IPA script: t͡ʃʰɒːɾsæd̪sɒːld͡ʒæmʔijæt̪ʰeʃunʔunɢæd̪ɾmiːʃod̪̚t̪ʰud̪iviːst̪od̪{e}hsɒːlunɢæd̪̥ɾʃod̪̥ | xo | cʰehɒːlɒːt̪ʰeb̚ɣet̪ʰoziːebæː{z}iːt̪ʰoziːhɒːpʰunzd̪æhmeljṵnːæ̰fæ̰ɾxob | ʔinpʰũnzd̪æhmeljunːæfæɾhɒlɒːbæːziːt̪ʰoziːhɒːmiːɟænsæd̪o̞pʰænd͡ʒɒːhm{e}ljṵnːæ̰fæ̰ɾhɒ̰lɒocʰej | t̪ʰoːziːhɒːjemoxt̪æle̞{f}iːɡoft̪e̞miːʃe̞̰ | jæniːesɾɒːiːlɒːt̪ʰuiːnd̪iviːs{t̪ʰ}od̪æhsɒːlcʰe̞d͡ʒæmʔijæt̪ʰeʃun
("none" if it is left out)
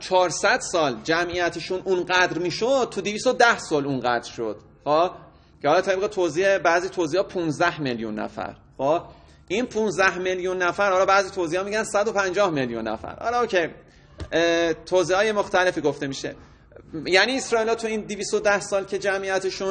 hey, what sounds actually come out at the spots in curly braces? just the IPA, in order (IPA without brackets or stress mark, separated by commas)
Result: æ, z, e, f, t̪